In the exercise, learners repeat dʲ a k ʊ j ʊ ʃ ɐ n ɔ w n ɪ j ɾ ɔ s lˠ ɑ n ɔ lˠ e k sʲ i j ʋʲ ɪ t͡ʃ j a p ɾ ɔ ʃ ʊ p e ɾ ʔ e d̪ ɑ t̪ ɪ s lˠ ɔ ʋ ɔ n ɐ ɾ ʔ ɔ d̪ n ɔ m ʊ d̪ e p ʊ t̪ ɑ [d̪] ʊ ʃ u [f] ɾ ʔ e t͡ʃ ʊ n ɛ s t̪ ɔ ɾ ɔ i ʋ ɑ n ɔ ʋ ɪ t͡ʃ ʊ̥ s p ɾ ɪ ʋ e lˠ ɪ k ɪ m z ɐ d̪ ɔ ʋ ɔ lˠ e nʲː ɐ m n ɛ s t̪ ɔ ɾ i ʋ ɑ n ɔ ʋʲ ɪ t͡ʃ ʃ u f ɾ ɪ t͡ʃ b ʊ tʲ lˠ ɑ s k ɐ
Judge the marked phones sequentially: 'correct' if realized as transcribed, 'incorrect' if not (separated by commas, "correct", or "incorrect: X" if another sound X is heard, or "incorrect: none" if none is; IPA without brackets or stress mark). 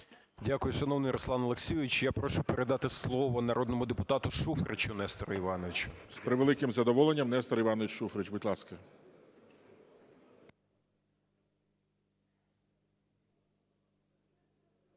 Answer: incorrect: t̪, correct